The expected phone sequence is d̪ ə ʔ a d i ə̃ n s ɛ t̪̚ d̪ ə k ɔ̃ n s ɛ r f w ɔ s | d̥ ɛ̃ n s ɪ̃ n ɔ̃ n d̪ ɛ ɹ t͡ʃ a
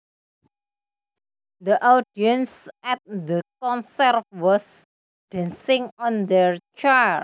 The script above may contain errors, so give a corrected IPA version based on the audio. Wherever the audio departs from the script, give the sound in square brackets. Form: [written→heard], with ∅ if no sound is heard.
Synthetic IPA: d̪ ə ʔ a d i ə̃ n s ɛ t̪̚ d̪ ə k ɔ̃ n s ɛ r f w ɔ s | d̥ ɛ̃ n s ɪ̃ [n→ŋ] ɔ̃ n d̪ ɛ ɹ t͡ʃ a